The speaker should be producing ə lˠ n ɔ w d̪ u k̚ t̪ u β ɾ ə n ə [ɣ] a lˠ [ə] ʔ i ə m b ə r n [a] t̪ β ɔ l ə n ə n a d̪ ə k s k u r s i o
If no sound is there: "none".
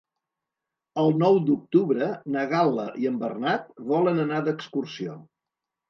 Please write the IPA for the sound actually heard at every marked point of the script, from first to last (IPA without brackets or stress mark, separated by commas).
ɣ, ə, a